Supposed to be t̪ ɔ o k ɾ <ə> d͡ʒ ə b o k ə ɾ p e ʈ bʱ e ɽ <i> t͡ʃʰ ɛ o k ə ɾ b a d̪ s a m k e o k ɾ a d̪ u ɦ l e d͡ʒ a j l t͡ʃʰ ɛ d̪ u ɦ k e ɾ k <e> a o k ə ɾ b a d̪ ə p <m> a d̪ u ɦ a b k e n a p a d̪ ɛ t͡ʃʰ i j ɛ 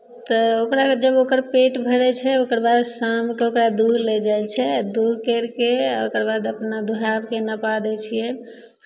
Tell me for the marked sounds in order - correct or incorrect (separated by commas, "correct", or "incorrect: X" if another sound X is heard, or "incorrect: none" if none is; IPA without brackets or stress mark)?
incorrect: a, incorrect: ɛ, correct, incorrect: n